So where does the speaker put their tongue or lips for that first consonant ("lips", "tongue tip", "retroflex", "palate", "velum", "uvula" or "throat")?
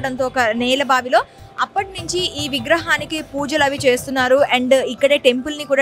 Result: retroflex